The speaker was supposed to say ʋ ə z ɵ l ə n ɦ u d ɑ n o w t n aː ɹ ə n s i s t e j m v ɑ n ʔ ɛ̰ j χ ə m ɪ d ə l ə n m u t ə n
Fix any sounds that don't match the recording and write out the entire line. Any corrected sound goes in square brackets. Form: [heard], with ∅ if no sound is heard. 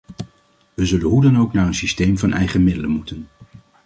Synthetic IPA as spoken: ʋ ə z ɵ l ə n ɦ u d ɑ n o w [k] n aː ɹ ə n s i s t e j m v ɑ n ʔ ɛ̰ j χ ə m ɪ d ə l ə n m u t ə n